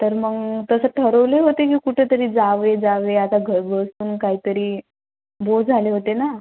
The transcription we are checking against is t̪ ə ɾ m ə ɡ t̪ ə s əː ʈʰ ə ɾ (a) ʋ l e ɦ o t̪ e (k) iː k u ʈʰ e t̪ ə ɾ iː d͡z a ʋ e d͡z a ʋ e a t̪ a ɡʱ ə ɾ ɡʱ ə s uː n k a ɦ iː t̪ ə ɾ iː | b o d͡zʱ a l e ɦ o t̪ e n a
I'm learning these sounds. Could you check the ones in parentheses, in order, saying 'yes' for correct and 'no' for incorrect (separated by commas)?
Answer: no, yes